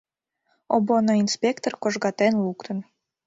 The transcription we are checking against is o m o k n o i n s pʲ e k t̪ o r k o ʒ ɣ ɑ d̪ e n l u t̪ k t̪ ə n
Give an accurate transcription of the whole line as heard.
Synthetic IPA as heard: o b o n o i n s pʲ e k t̪ o r k o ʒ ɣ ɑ t̪ e n l u k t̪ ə n